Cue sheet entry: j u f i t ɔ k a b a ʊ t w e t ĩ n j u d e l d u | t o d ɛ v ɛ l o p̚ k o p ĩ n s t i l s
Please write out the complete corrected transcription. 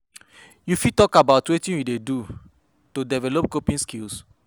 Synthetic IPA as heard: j u f i t ɔ k a b a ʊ t w e t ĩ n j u d e d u | t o d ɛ v ɛ l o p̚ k o p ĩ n s k i l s